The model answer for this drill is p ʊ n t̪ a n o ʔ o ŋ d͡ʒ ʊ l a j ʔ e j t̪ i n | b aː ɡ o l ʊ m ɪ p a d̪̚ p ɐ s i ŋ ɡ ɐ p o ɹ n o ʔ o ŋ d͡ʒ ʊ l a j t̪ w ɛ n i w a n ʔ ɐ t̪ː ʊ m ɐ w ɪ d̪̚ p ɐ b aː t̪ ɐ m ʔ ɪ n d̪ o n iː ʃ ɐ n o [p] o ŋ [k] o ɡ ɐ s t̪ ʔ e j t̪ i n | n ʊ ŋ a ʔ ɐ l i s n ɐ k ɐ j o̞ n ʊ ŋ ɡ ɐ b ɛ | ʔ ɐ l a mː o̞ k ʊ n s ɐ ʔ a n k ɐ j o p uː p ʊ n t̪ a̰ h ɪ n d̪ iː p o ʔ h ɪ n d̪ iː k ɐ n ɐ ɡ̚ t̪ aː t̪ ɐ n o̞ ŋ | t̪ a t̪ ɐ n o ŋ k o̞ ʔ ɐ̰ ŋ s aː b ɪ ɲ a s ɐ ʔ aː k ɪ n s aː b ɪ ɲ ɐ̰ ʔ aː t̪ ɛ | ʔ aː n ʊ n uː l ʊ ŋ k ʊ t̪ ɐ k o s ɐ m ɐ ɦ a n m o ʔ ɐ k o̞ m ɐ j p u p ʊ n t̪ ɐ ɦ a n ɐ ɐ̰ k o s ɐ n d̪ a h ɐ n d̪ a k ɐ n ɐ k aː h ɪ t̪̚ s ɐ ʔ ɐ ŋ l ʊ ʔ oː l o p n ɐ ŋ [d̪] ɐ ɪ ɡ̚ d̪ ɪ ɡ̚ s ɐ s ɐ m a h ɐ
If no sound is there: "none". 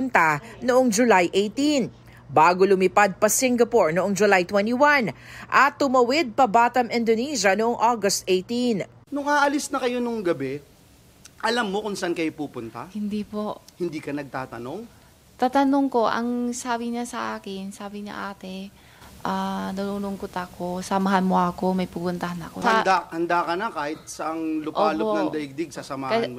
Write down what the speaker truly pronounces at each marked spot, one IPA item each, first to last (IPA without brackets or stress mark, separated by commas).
ʔ, ʔ, d̪